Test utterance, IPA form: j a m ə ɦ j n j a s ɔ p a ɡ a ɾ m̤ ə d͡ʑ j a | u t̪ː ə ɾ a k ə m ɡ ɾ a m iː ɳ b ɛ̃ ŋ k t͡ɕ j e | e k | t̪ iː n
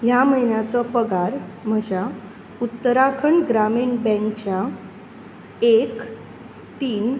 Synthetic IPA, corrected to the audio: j a m ə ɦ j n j a t͡s ɔ p ə ɡ a ɾ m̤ ə d͡ʑ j a | u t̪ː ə ɾ a kʰ ə ɳ ɡ ɾ a m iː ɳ b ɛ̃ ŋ k t͡ɕ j a | e k | t̪ iː n